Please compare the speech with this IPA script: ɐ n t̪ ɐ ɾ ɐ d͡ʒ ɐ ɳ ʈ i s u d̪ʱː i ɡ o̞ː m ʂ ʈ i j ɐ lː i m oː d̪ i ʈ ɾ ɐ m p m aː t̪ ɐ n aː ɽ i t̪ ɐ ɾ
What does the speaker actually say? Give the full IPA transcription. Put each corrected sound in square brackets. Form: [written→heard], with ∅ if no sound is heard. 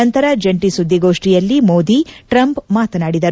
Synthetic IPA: ɐ n t̪ ɐ ɾ ɐ d͡ʒ ɐ ɳ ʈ i s u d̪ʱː i ɡ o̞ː [m→∅] ʂ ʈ i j ɐ lː i m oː d̪ i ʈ ɾ ɐ m p m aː t̪ ɐ n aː ɽ i [t̪→d̪] ɐ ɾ